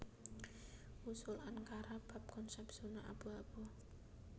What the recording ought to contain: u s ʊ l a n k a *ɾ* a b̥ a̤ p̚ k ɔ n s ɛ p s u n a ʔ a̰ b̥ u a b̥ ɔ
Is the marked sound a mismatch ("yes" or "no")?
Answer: no